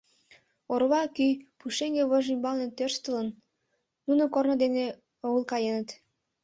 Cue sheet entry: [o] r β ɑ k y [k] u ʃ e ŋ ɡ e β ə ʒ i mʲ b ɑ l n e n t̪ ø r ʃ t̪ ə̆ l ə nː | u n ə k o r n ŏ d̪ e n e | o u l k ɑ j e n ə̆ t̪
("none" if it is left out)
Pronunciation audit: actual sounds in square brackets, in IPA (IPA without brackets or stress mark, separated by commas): o, p